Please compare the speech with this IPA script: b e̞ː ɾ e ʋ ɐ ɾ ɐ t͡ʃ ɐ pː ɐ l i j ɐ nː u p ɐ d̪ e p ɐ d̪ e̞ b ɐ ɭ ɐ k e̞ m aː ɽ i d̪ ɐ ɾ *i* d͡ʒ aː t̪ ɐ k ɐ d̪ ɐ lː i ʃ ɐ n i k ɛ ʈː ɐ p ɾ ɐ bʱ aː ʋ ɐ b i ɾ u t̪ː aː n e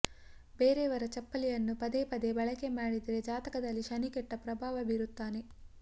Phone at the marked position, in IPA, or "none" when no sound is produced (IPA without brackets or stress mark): e